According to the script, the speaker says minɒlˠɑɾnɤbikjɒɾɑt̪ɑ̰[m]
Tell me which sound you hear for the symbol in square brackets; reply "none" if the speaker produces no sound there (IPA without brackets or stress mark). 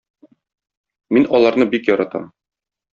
m